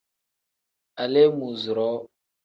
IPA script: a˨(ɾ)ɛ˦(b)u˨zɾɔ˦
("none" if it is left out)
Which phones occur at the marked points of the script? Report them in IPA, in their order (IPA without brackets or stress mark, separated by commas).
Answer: l, m